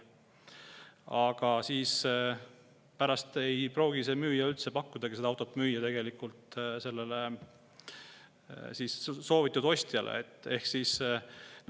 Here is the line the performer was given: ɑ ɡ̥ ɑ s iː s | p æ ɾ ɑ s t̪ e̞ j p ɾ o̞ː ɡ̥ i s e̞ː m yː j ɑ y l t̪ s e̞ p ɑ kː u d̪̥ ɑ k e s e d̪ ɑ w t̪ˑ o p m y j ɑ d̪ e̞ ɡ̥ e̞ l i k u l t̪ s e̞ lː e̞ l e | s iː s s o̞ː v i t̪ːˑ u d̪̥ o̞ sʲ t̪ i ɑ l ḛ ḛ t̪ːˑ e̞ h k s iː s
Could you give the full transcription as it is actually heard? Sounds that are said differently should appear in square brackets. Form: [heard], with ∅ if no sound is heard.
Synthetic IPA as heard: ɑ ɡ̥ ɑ s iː s | p æ ɾ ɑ s t̪ e̞ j p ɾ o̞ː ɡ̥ i s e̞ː m yː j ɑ y l t̪ s e̞ p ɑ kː u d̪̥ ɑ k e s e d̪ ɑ w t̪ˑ o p m [yː] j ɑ [t̪] e̞ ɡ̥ e̞ l i k u l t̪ s e̞ lː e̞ l e | s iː s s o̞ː v i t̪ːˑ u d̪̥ o̞ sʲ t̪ [j] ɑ l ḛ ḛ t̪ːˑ e̞ h k s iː s